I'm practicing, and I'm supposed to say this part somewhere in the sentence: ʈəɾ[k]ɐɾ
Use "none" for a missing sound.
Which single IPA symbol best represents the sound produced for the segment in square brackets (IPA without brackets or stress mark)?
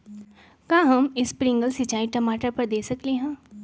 p